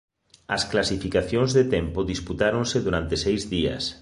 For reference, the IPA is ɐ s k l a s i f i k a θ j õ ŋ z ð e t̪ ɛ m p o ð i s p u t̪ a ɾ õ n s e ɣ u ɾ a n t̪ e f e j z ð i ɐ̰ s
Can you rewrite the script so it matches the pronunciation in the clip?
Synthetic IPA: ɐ s k l a s i f i k a θ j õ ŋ z ð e t̪ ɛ m p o ð i s p u t̪ a ɾ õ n s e ð u ɾ a n t̪ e s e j z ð i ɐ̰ s